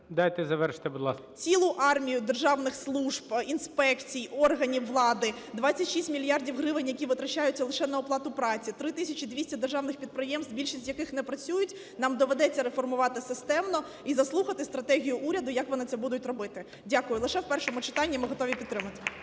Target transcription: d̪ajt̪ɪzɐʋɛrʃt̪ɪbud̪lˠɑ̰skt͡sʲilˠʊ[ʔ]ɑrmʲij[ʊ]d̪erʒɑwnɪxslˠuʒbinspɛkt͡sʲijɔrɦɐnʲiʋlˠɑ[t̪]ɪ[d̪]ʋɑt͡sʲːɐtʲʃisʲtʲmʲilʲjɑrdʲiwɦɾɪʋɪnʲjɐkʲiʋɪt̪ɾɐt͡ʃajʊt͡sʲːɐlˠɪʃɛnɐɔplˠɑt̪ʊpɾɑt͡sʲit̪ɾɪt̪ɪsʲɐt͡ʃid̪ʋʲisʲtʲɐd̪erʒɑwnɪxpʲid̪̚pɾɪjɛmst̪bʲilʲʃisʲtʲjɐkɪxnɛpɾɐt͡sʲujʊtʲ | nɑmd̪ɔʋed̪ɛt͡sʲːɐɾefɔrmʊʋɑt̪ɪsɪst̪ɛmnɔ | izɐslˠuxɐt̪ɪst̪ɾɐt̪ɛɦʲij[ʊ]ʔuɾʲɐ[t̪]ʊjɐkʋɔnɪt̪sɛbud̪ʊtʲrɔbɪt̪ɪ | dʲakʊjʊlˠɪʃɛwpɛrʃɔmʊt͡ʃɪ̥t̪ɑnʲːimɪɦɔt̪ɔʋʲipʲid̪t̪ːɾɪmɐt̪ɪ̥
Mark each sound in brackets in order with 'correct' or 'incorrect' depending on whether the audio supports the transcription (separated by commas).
correct, correct, incorrect, correct, correct, incorrect